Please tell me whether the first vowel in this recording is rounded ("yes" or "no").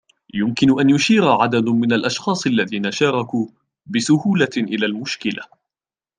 yes